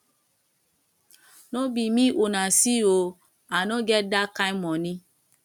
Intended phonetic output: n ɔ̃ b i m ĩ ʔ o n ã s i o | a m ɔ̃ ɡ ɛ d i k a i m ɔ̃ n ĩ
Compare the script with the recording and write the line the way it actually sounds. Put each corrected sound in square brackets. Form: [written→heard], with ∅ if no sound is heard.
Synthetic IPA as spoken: n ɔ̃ b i m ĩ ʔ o n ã s i o | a [m→n] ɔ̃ ɡ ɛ d [i→a] k a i m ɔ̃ n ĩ